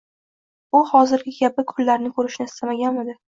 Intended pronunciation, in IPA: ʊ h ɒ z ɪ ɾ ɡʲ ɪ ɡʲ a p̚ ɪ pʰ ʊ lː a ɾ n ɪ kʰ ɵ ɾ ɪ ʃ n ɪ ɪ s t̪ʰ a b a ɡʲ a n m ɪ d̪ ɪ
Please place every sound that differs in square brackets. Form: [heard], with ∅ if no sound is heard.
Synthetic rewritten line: ʊ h ɒ z ɪ ɾ ɡʲ ɪ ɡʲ a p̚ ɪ [kʰ] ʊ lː a ɾ n ɪ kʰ ɵ ɾ ɪ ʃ n ɪ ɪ s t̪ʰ a [m] a ɡʲ a n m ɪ d̪ ɪ